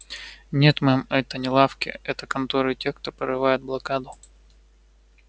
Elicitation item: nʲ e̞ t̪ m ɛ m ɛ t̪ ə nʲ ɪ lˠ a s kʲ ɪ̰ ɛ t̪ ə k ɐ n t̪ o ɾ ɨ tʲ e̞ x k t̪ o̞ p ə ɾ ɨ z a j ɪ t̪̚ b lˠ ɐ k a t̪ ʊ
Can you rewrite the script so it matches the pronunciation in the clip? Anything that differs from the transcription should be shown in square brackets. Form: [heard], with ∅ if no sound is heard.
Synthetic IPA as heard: nʲ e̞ t̪ m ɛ m ɛ t̪ ə nʲ ɪ lˠ a [f] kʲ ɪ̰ ɛ t̪ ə k ɐ n t̪ o ɾ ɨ tʲ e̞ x k t̪ o̞ p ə ɾ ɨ [v] a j ɪ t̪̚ b lˠ ɐ k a [d̪] ʊ